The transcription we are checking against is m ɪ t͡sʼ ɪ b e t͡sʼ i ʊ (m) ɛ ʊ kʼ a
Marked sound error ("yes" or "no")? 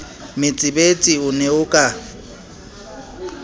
yes